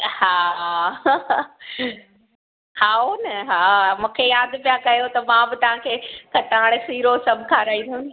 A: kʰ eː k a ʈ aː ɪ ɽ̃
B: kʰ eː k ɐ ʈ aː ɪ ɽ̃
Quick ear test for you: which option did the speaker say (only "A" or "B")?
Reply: B